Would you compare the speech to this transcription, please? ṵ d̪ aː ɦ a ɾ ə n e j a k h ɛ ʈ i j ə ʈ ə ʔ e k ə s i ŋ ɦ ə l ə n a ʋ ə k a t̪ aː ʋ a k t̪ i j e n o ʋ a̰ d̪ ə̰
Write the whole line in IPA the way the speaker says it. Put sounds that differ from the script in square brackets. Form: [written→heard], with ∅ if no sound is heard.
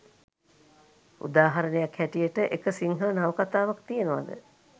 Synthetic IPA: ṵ d̪ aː ɦ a ɾ ə n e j a k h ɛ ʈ i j ə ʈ ə ʔ e k ə s i ŋ ɦ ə l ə n a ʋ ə k a t̪ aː ʋ a k t̪ i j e n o ʋ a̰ d̪ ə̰